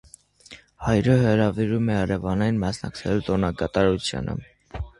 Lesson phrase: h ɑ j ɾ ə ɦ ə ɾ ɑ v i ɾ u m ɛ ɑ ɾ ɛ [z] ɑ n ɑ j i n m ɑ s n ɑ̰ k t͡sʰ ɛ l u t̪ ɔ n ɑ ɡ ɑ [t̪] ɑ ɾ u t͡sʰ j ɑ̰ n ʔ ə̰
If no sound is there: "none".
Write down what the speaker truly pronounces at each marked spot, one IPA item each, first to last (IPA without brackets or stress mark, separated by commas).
v, t̪